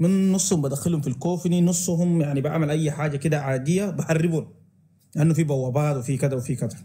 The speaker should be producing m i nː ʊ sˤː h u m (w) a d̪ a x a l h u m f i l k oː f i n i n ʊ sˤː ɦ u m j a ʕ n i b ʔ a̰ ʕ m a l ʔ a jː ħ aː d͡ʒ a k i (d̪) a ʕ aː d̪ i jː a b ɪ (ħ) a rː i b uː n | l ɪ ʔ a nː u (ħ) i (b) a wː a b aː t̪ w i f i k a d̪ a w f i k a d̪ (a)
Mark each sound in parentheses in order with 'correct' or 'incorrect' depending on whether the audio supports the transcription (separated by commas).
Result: incorrect, correct, correct, incorrect, correct, correct